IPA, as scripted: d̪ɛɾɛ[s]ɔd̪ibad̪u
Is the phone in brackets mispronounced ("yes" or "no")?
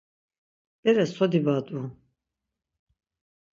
no